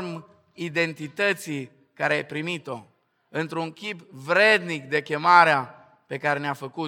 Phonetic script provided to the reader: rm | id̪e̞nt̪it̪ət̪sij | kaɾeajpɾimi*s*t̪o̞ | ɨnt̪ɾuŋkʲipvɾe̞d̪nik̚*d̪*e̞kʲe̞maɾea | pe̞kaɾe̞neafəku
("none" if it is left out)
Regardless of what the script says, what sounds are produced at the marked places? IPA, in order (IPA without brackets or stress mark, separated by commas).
none, d̪